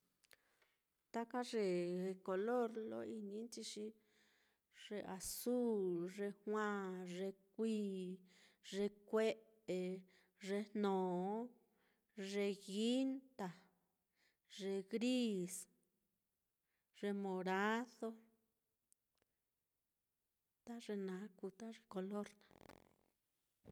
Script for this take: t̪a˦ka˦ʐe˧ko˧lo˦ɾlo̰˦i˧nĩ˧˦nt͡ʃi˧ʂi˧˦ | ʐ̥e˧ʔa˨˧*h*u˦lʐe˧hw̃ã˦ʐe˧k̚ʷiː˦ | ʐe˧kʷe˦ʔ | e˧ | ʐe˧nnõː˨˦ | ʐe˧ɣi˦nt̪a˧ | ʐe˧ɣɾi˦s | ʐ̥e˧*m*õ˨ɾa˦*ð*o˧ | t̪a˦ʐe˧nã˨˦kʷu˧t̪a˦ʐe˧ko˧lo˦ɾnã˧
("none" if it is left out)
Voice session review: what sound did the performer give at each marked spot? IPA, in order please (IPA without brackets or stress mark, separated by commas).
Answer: s, m, ð